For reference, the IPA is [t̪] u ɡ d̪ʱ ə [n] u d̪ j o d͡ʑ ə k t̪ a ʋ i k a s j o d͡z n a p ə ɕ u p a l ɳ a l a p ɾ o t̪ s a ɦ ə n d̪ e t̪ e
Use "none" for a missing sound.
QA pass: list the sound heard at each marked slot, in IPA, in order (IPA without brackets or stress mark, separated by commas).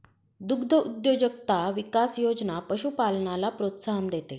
d̪, none